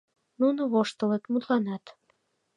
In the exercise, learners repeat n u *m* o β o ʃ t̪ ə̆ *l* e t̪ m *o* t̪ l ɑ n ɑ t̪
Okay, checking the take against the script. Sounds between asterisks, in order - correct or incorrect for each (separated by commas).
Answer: incorrect, correct, incorrect